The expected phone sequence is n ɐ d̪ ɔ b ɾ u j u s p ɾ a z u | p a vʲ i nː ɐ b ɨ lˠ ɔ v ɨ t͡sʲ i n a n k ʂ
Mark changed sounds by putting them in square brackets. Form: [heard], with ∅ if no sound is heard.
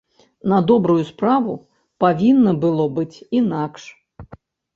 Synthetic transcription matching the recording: n ɐ d̪ ɔ b ɾ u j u s p ɾ a [v] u | p a vʲ i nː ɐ b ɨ lˠ ɔ [b] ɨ t͡sʲ i n a [∅] k ʂ